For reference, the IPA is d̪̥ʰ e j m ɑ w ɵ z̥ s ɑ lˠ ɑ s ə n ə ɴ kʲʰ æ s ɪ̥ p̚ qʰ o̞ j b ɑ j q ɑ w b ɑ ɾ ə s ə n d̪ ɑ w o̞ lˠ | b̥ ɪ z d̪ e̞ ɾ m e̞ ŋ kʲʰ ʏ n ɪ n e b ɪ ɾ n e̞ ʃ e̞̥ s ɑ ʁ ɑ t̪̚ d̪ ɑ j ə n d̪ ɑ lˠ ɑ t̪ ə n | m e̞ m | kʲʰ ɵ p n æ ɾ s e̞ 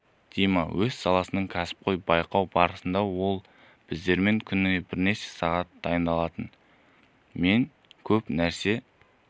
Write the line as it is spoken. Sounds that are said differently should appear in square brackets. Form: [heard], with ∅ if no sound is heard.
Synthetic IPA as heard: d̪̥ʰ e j m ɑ w ɵ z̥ s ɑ lˠ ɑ s ə n ə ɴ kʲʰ æ s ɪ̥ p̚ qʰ o̞ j b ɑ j q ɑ w b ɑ ɾ ə s ə n d̪ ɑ w o̞ lˠ | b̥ ɪ z d̪ e̞ ɾ m e̞ ŋ kʲʰ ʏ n ɪ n e b ɪ ɾ n e̞ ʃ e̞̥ s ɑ ʁ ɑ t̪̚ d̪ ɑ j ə n d̪ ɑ lˠ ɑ t̪ ə n | m e̞ [ŋ] | kʲʰ ɵ p n æ ɾ s e̞